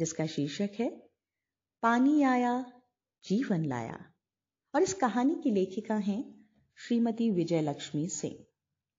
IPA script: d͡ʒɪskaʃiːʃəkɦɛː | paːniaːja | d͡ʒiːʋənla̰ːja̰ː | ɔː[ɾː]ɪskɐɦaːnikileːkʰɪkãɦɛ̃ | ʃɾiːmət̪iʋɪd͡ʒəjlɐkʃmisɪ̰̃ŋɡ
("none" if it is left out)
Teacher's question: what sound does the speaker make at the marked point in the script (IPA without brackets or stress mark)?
ɾ